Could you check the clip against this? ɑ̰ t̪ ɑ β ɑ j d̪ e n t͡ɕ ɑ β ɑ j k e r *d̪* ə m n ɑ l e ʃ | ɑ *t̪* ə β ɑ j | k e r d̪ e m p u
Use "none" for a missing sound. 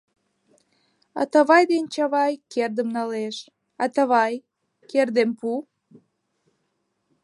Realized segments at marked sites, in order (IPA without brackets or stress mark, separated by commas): d̪, t̪